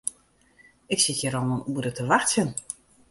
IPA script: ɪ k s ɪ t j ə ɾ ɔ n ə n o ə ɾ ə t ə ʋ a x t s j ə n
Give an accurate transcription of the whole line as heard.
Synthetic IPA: ɪ k s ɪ t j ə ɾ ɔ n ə n u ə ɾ ə t ə ʋ a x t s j ə n